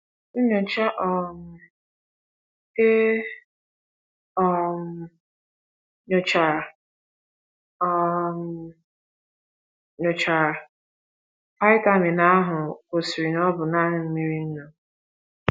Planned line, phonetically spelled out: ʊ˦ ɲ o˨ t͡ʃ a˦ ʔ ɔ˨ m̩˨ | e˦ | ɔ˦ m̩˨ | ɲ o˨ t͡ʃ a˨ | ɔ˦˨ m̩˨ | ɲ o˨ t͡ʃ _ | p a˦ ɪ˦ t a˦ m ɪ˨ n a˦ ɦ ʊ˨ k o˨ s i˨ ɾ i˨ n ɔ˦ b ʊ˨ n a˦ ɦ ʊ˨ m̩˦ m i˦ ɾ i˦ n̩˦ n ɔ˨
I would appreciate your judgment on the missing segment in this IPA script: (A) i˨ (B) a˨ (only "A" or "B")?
B